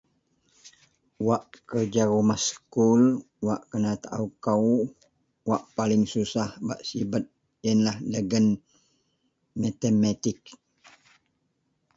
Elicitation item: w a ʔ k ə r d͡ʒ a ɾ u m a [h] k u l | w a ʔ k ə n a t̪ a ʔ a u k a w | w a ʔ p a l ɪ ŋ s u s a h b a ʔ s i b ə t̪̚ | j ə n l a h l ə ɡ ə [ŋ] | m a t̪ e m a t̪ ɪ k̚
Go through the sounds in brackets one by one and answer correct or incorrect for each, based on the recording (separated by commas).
incorrect, incorrect